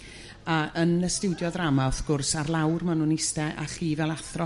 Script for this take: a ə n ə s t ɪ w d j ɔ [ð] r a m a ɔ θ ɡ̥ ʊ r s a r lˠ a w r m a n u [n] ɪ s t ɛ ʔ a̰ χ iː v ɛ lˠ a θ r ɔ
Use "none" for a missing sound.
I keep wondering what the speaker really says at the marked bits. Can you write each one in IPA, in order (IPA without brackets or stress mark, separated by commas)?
ð, n